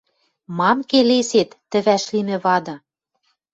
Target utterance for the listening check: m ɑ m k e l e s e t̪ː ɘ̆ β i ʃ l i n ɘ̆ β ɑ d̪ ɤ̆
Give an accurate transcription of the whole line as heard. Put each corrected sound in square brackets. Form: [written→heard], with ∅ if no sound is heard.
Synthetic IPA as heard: m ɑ m k e l e s e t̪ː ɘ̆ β [i→æ] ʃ l i [n→m] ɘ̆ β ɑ d̪ ɤ̆

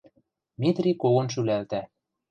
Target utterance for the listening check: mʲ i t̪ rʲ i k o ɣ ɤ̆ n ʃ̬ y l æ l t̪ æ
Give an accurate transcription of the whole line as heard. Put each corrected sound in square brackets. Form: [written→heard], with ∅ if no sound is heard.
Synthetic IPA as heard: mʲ i t̪ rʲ i k o ɣ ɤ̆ n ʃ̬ y l æ l t̪ æ

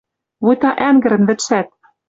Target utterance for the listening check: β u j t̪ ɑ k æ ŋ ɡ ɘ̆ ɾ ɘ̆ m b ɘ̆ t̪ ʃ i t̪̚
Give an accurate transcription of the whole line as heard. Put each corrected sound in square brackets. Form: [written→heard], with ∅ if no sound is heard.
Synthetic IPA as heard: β u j t̪ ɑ [k→ʔ] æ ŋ ɡ ɘ̆ ɾ ɘ̆ [m→n] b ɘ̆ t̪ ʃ [i→æ] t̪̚

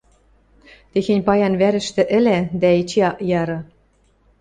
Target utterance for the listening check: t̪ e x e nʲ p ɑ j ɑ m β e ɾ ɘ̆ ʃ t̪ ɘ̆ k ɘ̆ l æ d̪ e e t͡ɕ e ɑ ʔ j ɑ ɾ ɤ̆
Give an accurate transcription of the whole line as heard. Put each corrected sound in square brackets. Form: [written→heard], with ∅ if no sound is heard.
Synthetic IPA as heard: t̪ e x e nʲ p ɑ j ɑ [m→n] β [e→æ] ɾ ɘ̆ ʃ t̪ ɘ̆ [k→ʔ] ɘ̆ l æ d̪ [e→æ] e t͡ɕ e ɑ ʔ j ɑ ɾ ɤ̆

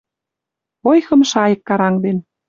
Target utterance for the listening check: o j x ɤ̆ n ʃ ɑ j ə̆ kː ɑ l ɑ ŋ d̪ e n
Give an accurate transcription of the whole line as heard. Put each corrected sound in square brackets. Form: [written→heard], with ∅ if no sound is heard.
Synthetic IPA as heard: o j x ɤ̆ [n→m] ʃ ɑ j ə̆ kː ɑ [l→ɾ] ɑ ŋ d̪ e n

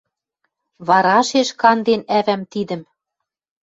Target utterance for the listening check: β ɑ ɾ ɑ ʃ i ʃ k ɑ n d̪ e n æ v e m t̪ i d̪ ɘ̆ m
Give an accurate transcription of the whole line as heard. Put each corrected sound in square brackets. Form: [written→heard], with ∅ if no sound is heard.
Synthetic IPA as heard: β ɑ ɾ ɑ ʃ [i→e] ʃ k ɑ n d̪ e n æ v [e→æ] m t̪ i d̪ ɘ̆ m

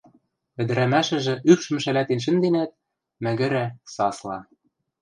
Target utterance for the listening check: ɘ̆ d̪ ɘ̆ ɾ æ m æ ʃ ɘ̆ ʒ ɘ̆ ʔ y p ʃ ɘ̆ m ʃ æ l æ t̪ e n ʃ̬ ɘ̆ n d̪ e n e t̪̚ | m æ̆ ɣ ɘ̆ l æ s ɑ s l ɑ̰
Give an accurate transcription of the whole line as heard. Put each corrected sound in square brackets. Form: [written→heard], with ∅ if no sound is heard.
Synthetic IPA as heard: ɘ̆ d̪ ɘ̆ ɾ æ m æ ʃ ɘ̆ ʒ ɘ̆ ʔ y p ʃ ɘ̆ m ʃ æ l æ t̪ e n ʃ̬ ɘ̆ n d̪ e n [e→æ] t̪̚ | m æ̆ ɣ ɘ̆ [l→ɾ] æ s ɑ s l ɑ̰

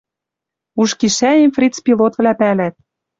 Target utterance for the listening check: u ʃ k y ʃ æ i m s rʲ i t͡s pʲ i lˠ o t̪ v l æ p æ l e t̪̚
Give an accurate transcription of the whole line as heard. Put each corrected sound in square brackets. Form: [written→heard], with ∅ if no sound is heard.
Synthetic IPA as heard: u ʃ k [y→i] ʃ æ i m [s→f] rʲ i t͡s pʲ i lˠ o t̪ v l æ p æ l [e→æ] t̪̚

